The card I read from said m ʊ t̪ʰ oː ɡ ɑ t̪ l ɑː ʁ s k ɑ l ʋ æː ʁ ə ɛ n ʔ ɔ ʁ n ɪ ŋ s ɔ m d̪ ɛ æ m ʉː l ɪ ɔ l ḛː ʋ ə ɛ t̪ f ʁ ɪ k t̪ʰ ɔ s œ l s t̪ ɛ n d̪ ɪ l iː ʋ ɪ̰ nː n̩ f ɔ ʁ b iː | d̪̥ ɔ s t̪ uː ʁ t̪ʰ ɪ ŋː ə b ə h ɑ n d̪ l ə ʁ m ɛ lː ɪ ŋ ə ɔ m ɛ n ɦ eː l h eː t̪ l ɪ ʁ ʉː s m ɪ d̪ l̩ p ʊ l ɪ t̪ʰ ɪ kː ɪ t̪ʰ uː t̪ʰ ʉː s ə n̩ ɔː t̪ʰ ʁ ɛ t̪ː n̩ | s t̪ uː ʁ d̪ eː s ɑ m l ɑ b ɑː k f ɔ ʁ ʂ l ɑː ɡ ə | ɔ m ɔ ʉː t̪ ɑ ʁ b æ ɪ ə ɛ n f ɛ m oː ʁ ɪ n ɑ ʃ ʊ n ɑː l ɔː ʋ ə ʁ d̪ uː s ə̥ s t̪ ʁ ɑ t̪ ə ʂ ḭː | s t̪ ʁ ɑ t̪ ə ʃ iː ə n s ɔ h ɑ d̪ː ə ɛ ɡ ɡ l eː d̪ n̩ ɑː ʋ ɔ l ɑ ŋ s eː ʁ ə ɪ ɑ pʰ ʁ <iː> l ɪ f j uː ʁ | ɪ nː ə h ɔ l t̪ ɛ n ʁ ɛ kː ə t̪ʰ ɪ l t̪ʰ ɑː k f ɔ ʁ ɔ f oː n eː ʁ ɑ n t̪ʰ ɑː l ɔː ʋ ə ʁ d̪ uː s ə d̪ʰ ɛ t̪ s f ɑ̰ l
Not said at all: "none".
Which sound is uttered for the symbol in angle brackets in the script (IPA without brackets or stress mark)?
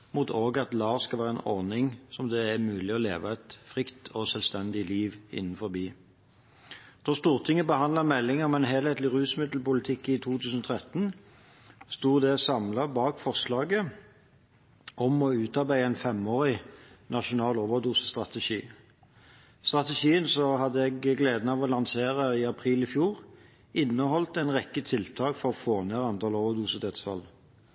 iː